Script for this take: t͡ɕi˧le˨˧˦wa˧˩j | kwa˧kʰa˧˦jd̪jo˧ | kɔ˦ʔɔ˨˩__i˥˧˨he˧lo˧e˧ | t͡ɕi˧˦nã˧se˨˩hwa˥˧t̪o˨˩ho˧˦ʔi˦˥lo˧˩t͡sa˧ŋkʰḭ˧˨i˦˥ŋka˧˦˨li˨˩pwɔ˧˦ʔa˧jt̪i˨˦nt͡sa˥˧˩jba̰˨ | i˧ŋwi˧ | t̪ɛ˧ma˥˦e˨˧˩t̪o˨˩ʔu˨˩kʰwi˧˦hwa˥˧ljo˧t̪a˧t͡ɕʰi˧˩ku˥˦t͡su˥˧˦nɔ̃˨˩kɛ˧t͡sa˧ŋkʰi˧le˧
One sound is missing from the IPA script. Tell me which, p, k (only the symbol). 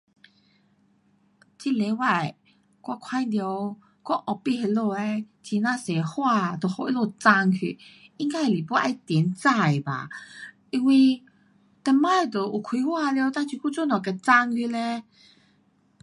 p